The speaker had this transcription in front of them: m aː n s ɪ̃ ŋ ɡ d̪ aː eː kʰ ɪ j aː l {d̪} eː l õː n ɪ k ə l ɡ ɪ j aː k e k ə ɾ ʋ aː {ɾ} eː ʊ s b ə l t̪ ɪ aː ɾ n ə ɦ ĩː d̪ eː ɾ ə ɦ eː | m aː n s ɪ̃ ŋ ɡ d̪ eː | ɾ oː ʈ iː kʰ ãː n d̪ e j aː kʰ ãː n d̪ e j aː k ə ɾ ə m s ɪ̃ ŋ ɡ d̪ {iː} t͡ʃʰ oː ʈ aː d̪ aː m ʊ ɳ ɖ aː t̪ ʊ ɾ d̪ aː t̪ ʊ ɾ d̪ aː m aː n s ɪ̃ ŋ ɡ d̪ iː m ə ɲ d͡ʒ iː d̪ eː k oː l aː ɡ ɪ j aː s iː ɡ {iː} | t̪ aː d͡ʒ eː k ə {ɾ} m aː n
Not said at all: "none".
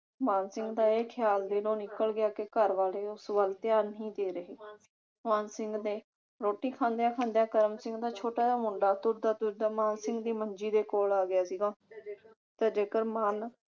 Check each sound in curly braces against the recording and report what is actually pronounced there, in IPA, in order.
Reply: d̪, l, aː, aː, ɾ

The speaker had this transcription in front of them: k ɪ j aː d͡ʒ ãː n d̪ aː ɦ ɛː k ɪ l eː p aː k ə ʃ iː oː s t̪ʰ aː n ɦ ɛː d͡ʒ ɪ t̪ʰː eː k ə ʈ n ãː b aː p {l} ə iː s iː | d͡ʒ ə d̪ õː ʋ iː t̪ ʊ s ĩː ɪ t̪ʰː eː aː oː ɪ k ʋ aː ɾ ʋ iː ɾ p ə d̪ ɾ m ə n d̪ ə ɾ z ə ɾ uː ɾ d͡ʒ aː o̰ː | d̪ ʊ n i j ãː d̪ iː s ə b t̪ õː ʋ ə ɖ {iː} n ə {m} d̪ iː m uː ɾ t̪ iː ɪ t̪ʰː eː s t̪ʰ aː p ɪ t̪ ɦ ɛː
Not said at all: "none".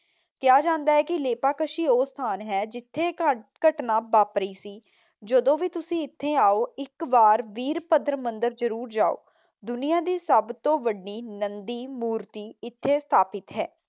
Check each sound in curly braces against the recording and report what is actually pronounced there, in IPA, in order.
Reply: ɾ, iː, n

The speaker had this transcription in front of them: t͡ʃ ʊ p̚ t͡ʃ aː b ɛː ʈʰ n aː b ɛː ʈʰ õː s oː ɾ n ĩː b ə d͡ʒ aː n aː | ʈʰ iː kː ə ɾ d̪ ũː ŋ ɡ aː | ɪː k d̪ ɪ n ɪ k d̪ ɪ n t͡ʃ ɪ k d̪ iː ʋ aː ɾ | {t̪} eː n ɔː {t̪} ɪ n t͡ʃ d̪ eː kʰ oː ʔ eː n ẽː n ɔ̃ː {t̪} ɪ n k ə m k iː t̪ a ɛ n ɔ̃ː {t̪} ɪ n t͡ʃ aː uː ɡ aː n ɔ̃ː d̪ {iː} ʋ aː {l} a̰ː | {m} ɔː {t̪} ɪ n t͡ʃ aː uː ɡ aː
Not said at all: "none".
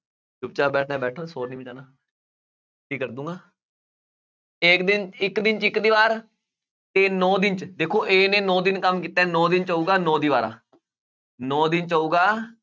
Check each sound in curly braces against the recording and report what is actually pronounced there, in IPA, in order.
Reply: t̪, d̪, d̪, d̪, iː, ɾ, n, d̪

